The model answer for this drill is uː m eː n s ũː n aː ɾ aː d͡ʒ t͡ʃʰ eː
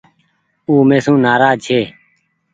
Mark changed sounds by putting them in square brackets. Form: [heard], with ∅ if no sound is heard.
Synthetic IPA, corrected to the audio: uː m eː [∅] s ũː n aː ɾ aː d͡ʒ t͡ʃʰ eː